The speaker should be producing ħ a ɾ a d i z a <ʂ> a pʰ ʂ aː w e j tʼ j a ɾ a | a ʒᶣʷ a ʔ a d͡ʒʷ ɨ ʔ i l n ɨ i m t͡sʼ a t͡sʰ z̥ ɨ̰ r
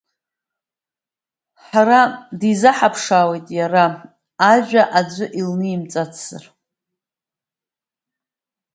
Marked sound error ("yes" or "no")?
yes